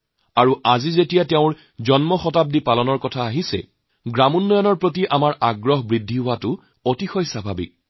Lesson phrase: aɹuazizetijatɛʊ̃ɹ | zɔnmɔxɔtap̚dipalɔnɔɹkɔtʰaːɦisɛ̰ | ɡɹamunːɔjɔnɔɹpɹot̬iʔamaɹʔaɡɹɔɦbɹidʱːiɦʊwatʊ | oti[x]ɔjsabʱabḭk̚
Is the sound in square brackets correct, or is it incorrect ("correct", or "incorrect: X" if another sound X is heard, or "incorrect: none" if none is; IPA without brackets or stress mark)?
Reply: correct